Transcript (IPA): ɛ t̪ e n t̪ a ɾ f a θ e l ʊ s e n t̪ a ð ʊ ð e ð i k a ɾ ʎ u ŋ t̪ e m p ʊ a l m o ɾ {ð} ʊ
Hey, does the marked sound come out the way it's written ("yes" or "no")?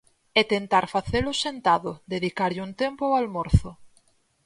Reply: no